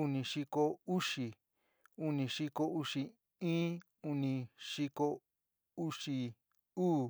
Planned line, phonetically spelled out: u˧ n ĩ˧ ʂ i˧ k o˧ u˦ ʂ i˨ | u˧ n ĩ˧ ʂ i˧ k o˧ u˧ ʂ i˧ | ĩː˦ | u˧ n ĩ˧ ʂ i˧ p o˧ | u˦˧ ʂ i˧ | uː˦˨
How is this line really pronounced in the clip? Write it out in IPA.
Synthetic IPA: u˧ n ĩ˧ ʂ i˧ k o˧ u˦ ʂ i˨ | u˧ n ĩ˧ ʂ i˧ k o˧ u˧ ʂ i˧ | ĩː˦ | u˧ n ĩ˧ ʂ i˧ k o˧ | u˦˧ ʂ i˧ | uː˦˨